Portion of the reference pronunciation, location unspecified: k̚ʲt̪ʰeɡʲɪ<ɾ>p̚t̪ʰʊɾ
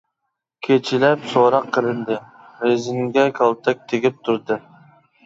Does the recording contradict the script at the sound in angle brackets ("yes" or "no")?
yes